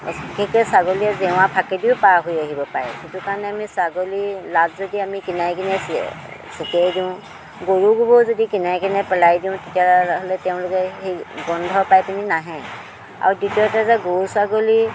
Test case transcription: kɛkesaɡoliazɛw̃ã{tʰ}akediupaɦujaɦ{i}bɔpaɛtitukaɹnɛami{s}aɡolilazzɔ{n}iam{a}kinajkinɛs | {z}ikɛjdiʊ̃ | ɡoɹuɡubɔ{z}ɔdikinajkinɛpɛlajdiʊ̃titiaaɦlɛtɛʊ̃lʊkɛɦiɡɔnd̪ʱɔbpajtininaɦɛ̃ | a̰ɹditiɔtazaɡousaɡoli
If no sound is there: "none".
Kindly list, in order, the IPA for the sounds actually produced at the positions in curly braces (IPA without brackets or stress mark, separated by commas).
pʰ, i, s, d, i, s, z